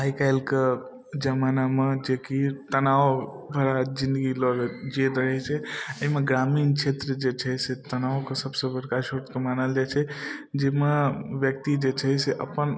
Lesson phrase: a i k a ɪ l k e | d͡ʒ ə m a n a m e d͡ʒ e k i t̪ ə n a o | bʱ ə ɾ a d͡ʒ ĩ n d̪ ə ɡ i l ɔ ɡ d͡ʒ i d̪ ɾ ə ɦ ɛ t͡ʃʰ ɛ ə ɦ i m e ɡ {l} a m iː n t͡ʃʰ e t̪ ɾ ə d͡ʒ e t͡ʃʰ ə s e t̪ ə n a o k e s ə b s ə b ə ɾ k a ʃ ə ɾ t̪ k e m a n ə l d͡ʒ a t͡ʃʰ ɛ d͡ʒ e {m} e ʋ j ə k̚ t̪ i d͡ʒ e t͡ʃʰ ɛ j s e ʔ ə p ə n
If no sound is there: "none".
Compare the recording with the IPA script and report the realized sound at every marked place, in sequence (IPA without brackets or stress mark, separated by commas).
ɾ, m